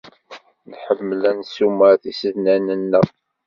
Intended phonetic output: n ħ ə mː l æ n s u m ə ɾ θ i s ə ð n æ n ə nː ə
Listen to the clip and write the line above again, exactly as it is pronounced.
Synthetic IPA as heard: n ħ ə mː l æ n s u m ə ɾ θ i s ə ð n æ n ə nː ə